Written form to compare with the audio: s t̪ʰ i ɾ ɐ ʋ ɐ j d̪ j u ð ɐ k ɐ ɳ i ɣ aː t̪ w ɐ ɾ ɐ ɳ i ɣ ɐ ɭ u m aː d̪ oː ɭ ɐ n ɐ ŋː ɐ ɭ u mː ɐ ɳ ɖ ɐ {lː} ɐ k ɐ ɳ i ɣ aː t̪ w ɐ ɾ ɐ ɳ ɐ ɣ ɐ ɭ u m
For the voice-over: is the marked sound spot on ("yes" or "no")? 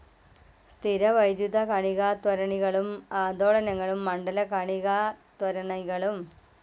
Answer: no